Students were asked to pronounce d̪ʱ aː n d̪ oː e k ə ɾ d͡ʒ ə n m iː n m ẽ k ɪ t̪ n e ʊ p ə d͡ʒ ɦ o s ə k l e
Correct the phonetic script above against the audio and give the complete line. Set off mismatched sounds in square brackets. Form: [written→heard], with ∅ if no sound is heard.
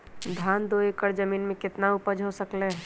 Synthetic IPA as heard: d̪ʱ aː n d̪ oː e k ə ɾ d͡ʒ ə [n→∅] m iː n m ẽ k ɪ t̪ n [e→a] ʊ p ə d͡ʒ ɦ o s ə k l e